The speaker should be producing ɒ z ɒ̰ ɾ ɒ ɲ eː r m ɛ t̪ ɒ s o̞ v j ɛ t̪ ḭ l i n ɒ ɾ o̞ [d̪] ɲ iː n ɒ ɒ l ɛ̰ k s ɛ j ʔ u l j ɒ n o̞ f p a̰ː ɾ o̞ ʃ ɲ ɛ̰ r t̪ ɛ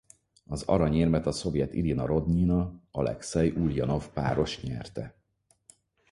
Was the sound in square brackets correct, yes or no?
yes